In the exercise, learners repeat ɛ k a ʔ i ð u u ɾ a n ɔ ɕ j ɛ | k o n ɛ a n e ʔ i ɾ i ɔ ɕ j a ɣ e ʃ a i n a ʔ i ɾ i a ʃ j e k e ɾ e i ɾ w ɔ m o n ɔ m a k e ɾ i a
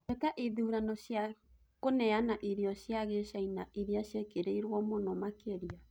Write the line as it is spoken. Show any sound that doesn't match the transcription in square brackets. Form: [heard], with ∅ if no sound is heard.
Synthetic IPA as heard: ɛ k a ʔ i ð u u ɾ a n ɔ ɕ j [a] | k o n ɛ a n [a] ʔ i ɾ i ɔ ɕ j a ɣ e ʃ a i n a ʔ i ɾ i a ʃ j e k e ɾ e i ɾ w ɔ m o n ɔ m a k e ɾ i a